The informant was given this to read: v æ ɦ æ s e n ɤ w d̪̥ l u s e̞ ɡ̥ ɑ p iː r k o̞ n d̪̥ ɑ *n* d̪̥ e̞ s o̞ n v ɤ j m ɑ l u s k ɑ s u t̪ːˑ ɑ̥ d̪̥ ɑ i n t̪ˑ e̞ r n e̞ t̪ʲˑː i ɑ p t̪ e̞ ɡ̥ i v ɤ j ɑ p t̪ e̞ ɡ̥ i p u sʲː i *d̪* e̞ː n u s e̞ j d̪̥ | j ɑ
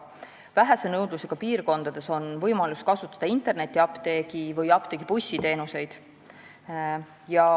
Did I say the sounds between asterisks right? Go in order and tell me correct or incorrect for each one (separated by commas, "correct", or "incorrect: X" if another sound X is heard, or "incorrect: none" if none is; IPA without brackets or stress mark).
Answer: incorrect: none, incorrect: t̪